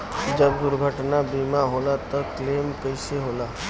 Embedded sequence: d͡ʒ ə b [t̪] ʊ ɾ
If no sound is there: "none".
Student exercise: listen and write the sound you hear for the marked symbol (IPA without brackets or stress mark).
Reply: d̪